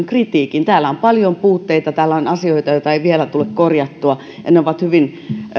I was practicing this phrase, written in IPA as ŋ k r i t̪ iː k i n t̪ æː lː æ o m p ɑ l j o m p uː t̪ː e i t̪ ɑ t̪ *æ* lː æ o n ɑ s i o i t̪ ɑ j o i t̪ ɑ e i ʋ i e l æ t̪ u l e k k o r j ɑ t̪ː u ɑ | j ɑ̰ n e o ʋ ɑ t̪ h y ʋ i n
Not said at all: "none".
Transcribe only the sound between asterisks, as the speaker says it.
æː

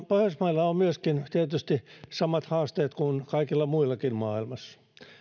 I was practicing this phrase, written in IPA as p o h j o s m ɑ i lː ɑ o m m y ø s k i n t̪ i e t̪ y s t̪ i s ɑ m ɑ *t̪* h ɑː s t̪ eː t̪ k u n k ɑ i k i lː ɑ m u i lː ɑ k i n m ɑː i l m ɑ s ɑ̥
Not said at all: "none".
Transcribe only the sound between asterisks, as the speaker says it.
t̪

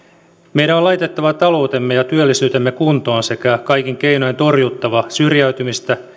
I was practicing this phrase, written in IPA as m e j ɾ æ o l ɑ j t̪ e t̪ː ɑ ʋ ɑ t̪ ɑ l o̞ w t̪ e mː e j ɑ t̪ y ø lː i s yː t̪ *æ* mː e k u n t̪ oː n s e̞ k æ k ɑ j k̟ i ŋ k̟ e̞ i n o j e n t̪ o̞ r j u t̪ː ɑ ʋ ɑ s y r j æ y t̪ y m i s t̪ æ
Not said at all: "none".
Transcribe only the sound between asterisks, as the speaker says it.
e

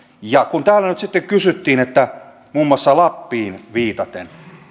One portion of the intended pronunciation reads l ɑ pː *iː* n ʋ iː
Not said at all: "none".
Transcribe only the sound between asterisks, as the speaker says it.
iː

